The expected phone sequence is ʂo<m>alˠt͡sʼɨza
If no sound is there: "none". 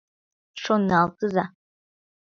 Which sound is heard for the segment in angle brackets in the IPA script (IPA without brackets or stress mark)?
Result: n